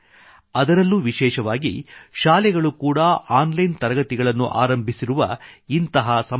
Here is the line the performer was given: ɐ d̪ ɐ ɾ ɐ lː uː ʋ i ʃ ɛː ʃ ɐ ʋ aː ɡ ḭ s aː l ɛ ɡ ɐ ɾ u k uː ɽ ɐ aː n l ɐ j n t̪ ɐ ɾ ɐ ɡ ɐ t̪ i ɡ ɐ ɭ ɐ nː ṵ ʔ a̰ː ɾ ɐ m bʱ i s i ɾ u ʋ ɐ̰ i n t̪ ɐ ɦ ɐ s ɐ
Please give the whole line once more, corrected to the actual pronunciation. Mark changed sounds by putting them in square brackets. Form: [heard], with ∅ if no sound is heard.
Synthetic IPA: ɐ d̪ ɐ ɾ ɐ lː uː ʋ i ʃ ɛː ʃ ɐ ʋ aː ɡ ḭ [ʃ] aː l ɛ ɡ ɐ [ɭ] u k uː ɽ ɐ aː n l ɐ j n t̪ ɐ ɾ ɐ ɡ ɐ t̪ i ɡ ɐ ɭ ɐ nː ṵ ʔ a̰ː ɾ ɐ m bʱ i s i ɾ u ʋ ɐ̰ i n t̪ ɐ ɦ ɐ s ɐ